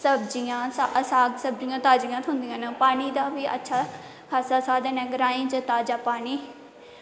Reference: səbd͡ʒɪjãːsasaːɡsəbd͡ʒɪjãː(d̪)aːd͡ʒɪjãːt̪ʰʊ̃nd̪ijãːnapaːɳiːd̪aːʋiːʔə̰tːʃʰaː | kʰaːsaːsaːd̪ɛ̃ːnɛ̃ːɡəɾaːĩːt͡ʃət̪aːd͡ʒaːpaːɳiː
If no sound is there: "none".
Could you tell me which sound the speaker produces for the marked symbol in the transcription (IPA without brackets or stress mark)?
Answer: t̪